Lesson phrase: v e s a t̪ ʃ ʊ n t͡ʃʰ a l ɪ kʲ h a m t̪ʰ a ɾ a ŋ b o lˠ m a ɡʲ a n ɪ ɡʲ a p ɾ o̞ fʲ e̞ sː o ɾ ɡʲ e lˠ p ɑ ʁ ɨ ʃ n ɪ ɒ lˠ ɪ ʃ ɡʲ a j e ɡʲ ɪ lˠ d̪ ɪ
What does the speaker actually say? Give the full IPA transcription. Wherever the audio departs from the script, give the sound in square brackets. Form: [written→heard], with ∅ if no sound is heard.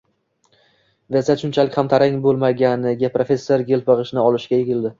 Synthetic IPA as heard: v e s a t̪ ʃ ʊ n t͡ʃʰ a l ɪ kʲ h a m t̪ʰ a ɾ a ŋ b o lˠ m a ɡʲ a n ɪ ɡʲ a p ɾ o̞ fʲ e̞ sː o ɾ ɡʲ e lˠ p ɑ ʁ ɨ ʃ n ɪ ɒ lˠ ɪ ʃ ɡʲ a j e ɡʲ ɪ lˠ d̪ ɪ